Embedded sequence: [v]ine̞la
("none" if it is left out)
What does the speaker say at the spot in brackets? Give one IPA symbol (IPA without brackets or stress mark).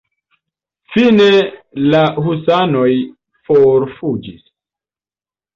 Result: f